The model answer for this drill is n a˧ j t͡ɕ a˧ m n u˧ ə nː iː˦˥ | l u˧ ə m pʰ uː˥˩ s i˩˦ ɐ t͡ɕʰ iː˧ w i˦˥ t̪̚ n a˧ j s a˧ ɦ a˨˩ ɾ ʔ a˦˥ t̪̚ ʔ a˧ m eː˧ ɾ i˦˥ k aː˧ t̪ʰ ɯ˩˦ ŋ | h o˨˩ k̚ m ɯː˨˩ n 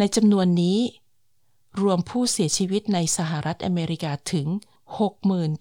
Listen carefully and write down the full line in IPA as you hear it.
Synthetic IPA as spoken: n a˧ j t͡ɕ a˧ m n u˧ ə nː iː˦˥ | ɾ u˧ ə m pʰ uː˥˩ s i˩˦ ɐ t͡ɕʰ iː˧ w i˦˥ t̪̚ n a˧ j s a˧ ɦ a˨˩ ɾ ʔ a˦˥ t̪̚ ʔ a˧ m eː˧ ɾ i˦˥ k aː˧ t̪ʰ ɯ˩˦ ŋ | h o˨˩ k̚ m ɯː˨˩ n